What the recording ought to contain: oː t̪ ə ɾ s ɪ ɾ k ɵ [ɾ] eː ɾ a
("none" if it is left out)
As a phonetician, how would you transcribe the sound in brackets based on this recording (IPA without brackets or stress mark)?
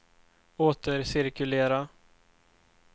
l